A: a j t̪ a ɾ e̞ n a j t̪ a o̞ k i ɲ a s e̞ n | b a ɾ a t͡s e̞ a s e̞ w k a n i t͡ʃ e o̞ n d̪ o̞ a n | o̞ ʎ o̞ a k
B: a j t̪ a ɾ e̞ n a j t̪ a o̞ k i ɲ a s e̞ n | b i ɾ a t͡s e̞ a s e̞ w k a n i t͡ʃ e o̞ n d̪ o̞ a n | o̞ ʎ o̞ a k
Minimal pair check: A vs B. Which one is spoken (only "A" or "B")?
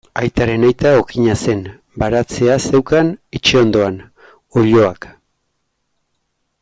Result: A